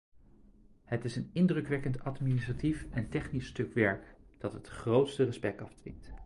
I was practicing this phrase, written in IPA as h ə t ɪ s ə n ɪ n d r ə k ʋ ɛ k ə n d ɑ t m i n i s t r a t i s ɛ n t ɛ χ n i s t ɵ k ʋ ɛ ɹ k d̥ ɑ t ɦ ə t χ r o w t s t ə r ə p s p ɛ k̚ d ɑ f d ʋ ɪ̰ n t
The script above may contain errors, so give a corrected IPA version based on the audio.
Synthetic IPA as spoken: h ə t ɪ s ə n ɪ n d r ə k ʋ ɛ k ə n t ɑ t m i n i s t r a t i f ɛ n t ɛ χ n i s t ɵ k ʋ ɛ ɹ k d̥ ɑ t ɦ ə t χ r o w t s t ə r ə s p ɛ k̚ t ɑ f d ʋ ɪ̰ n t